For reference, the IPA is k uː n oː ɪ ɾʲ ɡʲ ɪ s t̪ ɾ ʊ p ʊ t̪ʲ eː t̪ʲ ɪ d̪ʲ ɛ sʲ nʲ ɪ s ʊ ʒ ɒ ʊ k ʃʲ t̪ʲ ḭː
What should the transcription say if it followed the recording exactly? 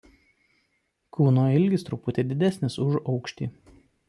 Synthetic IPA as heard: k uː n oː ɪ lʲ ɡʲ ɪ s t̪ ɾ ʊ p ʊ t̪ʲ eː d̪ʲ ɪ d̪ʲ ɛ sʲ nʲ ɪ s ʊ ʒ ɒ ʊ k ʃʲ t̪ʲ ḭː